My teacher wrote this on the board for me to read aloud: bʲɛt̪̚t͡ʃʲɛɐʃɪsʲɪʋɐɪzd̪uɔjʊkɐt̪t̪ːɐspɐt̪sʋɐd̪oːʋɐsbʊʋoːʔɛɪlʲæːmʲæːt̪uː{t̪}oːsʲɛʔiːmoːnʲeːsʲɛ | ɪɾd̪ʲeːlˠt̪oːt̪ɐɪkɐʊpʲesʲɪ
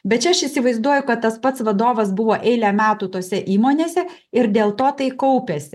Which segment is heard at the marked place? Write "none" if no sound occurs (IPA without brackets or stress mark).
t̪